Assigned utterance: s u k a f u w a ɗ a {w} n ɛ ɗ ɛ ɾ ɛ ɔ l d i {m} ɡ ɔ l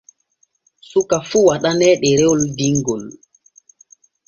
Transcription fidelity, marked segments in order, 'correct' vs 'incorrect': incorrect, incorrect

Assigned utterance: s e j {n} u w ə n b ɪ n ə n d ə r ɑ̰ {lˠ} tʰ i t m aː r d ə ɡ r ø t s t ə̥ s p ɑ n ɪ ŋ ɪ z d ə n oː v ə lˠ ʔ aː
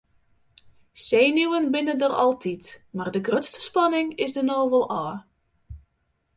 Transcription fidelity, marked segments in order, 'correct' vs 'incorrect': correct, correct

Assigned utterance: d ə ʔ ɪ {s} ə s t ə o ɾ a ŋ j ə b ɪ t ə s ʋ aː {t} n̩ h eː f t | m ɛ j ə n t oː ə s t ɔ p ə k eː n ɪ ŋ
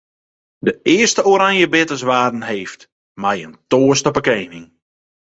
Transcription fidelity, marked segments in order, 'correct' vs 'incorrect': incorrect, incorrect

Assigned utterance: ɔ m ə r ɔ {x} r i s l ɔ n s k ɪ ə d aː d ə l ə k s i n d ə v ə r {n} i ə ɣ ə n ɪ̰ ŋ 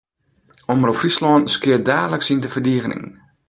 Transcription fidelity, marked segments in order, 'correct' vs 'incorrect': incorrect, incorrect

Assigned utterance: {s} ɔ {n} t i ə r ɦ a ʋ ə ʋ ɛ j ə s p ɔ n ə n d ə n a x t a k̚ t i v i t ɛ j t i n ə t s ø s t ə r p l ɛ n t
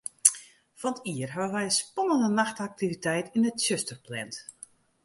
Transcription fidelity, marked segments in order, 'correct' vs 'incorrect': incorrect, correct

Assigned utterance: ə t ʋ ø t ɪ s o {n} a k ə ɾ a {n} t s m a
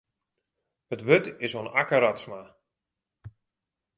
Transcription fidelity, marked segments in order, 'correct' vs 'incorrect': correct, incorrect

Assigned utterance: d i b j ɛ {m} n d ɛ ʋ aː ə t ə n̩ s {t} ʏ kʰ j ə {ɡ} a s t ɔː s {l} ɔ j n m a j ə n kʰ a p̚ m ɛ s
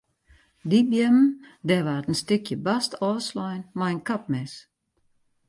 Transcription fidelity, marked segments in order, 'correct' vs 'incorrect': correct, correct, incorrect, correct

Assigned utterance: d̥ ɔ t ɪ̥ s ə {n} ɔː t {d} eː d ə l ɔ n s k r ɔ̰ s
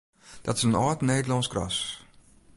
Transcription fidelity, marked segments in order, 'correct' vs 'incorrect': correct, incorrect

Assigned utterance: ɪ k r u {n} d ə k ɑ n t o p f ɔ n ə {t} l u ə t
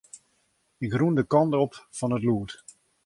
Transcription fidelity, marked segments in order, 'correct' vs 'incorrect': correct, correct

